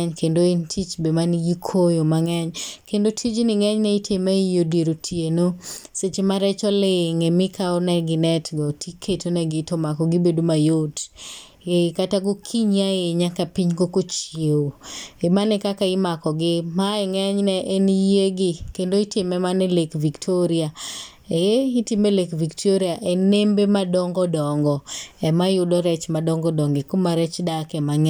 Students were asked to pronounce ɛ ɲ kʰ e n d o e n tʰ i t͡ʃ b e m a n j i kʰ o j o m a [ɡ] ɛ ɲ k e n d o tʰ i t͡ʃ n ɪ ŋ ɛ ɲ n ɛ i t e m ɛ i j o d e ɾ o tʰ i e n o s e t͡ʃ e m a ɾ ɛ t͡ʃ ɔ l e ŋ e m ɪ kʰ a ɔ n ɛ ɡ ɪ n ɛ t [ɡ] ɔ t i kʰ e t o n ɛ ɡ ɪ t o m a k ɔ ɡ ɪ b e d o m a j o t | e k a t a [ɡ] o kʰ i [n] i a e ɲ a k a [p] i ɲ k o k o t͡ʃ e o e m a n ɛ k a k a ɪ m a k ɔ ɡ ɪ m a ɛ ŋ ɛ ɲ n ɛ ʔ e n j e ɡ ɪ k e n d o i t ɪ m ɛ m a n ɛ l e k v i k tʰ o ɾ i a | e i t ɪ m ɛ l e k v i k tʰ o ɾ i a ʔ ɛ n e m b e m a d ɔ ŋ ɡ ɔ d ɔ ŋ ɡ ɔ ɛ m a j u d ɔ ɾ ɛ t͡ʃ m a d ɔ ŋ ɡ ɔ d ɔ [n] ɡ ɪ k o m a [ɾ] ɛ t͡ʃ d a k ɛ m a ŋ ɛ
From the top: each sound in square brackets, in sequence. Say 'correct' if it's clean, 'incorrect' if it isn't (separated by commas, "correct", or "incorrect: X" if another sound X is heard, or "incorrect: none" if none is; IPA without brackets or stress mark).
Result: incorrect: ŋ, correct, correct, incorrect: ɲ, correct, incorrect: ŋ, correct